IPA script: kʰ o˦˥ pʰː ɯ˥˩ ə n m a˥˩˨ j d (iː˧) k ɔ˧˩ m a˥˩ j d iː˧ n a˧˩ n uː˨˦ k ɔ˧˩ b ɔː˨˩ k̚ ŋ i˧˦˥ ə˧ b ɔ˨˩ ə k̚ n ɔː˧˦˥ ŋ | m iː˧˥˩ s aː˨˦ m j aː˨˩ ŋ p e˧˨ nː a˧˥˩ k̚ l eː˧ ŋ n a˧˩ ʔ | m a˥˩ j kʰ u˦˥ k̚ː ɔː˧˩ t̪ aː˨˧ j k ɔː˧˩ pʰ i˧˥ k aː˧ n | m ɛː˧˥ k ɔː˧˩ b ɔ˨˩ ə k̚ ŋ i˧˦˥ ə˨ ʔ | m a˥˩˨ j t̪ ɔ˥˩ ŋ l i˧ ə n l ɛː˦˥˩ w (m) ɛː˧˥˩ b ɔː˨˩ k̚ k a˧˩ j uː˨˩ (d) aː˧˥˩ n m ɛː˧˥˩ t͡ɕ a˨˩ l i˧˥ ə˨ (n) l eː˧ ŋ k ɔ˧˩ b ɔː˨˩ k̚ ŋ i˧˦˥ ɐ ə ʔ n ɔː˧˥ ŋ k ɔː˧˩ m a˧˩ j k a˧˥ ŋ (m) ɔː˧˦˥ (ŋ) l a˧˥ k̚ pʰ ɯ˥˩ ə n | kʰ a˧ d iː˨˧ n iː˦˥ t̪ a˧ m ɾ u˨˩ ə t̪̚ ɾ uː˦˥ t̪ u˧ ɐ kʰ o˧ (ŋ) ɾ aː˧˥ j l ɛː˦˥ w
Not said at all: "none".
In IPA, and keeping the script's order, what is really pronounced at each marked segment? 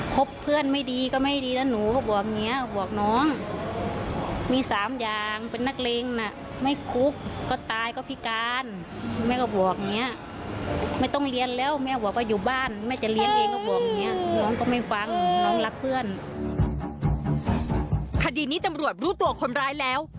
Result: iː˧, m, b, n, n, ŋ, n

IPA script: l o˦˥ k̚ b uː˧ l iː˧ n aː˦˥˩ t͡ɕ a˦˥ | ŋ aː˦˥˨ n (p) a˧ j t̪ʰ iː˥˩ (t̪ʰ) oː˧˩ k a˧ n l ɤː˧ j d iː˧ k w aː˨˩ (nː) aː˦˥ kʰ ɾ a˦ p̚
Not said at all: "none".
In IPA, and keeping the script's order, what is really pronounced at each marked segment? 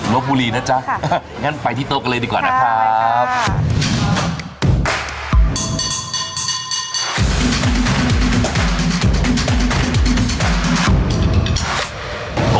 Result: p, t̪, n

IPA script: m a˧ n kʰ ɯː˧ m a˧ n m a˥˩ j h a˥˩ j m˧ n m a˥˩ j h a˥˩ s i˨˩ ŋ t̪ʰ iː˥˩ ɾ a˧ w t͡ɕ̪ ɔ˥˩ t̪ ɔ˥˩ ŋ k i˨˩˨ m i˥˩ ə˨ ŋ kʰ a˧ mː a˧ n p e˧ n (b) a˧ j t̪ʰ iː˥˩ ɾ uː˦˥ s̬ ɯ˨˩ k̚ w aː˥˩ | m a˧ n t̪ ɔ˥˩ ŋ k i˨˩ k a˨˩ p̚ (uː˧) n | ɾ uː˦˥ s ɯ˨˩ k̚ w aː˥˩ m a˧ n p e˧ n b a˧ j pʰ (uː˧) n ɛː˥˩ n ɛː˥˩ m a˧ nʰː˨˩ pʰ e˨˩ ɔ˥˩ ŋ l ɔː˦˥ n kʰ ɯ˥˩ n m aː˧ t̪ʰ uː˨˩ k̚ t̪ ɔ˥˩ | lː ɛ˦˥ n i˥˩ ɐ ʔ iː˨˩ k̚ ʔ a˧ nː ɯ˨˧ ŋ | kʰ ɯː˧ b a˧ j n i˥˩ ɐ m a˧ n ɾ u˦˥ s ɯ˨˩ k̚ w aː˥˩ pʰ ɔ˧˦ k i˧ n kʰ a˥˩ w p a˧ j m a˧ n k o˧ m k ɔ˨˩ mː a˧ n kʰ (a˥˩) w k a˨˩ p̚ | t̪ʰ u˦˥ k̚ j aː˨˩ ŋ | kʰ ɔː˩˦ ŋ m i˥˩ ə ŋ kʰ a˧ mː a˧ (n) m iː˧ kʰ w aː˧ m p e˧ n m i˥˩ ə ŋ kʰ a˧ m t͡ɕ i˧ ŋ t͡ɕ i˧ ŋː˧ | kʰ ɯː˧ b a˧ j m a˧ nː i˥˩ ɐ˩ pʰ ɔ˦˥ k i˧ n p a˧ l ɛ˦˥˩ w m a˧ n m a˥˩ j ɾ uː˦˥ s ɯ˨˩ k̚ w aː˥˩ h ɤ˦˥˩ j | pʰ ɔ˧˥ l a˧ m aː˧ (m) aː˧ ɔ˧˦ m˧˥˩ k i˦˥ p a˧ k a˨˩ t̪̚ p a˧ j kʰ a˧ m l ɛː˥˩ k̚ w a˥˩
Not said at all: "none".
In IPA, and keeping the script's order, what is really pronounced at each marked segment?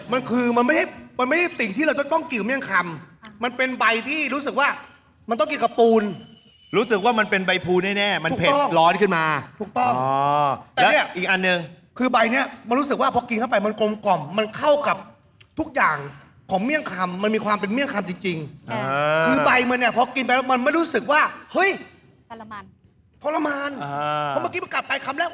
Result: b, uː˧, uː˧, a˥˩, n, n

